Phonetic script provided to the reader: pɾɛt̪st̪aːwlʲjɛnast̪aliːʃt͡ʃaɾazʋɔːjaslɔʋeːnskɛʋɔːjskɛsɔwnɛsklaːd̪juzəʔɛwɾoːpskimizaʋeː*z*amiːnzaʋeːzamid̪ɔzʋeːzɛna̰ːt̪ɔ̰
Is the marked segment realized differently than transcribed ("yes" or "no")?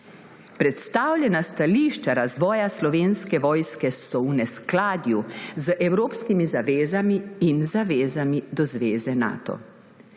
no